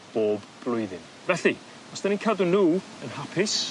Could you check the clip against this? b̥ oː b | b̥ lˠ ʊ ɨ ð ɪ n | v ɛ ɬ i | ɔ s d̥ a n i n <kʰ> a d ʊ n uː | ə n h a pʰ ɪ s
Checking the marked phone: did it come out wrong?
no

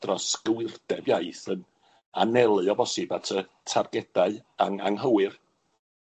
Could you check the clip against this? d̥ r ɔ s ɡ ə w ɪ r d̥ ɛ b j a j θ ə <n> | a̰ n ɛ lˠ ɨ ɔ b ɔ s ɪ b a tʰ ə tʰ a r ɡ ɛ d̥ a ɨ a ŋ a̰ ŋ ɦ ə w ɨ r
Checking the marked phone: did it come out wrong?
no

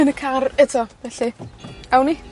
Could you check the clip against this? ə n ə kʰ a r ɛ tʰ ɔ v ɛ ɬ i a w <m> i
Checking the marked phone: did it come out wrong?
yes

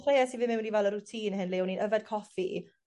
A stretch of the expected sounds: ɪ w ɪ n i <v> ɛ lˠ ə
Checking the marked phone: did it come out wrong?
no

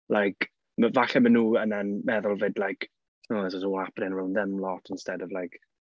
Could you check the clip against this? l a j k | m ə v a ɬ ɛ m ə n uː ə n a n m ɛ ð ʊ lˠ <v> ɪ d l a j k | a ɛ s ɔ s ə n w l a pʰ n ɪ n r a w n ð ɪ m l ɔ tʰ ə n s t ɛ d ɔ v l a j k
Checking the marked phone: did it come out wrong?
no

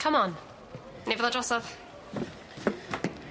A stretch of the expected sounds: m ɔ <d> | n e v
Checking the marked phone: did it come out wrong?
yes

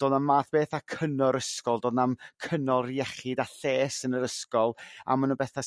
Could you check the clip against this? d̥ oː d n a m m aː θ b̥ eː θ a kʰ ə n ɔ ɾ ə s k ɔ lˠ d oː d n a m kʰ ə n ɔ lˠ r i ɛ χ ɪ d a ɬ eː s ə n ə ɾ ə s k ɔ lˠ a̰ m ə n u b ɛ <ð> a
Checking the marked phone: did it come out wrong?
yes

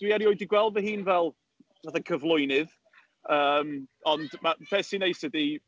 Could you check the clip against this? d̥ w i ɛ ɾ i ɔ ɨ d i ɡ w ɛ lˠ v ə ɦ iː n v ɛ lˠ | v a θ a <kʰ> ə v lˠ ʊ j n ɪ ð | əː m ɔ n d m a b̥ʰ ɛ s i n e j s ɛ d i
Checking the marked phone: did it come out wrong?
no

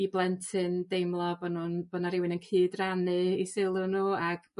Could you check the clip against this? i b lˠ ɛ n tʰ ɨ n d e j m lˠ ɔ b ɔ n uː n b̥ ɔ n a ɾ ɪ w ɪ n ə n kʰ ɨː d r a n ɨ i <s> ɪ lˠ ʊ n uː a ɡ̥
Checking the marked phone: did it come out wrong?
no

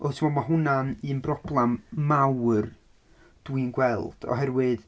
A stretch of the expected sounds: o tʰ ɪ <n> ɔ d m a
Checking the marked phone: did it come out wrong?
yes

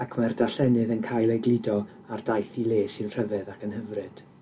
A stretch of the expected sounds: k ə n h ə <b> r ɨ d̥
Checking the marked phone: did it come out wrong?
yes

